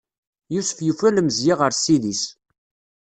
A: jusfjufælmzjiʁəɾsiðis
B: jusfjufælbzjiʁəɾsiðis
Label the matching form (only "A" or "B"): A